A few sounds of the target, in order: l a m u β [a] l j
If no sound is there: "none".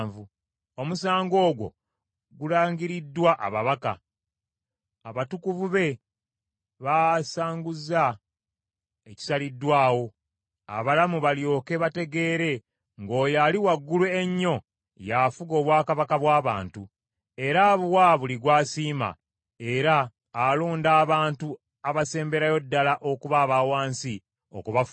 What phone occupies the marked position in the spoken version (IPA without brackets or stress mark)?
a